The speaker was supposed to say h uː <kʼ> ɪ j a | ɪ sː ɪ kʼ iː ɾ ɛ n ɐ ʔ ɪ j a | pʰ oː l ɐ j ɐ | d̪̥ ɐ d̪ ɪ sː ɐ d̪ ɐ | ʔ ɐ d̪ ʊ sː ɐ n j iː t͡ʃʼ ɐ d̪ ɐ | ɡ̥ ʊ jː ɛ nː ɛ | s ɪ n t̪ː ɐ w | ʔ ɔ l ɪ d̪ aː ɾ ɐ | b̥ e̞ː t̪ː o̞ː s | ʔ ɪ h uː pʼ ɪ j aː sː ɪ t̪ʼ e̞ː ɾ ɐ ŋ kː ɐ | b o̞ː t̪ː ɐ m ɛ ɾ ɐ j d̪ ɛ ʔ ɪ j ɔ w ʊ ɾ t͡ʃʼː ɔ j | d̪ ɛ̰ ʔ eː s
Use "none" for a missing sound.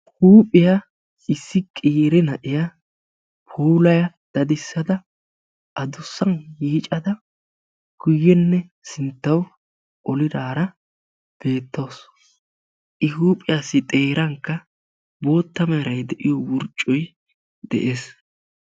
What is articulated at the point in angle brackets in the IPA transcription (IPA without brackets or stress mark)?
pʼ